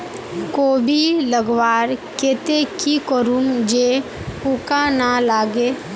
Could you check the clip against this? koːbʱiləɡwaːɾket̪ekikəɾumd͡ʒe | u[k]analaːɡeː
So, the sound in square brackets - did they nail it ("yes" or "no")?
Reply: yes